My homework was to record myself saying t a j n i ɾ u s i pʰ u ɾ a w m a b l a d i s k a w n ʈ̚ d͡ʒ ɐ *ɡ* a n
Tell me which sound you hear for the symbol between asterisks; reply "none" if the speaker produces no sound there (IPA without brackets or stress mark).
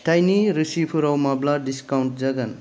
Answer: ɡ